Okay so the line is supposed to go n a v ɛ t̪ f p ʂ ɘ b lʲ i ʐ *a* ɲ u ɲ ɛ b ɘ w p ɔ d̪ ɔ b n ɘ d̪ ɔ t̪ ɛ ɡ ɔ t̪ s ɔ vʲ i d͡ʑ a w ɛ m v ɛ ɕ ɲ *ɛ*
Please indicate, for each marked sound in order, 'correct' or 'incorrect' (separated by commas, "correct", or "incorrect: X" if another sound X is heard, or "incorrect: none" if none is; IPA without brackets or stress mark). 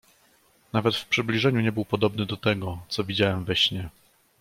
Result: incorrect: ɛ, correct